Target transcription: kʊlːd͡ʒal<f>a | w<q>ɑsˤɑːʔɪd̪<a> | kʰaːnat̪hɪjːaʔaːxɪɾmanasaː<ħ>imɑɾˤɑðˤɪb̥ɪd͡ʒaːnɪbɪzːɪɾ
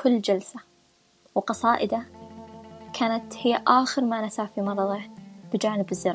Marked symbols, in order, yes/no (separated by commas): no, yes, yes, no